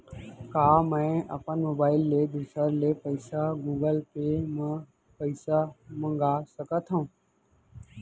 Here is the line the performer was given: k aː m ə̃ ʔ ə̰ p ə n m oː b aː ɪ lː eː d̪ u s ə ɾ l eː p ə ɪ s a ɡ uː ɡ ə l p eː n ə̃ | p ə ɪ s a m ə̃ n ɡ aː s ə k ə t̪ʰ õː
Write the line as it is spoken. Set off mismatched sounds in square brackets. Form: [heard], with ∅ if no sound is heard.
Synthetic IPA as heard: k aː m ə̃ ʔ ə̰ p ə n m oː b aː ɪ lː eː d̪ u s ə ɾ l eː p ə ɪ s a ɡ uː ɡ ə l p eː [m] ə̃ | p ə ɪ s a m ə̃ [ŋ] ɡ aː s ə k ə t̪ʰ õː